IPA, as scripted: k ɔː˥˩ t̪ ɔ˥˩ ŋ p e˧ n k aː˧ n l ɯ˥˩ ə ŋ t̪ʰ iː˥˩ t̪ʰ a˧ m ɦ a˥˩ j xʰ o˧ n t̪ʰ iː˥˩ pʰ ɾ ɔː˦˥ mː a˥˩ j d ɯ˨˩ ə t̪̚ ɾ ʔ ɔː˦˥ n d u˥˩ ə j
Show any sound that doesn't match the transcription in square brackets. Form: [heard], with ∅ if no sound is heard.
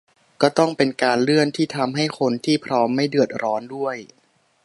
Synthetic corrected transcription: k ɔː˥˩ t̪ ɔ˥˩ ŋ p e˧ n k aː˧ n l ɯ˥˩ ə [n] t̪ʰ iː˥˩ t̪ʰ a˧ m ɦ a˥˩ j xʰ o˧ n t̪ʰ iː˥˩ pʰ ɾ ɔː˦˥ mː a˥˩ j d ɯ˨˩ ə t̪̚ ɾ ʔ ɔː˦˥ n d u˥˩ ə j